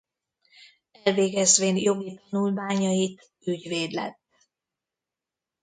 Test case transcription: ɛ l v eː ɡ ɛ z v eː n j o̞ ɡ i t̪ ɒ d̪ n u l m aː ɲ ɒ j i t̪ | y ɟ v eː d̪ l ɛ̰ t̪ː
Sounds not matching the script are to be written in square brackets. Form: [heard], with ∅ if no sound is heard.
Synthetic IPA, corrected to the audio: ɛ l v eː ɡ ɛ z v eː n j o̞ ɡ i t̪ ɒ [∅] n u l m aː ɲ ɒ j i t̪ | y ɟ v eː d̪ l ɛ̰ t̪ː